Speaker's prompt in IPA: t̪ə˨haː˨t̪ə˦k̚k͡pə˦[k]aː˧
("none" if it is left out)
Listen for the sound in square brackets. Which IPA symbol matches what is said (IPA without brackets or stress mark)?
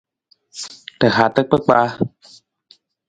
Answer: k͡p